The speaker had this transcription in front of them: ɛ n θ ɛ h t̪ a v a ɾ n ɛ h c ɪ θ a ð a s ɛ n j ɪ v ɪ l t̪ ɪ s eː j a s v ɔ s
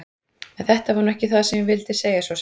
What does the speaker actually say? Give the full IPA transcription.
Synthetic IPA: ɛ n θ ɛ h t̪ a v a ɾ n ɛ h c ɪ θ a ð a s ɛ m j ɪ v ɪ l t̪ ɪ s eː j a s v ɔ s